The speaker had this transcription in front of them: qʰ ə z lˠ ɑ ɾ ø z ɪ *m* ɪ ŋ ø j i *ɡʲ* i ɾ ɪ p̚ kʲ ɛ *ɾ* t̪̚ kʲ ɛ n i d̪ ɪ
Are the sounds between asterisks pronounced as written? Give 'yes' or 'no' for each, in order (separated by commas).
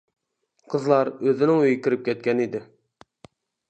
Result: no, no, no